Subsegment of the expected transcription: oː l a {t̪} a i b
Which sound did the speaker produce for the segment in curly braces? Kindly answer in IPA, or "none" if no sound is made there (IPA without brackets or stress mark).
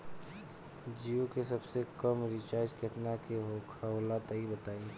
t̪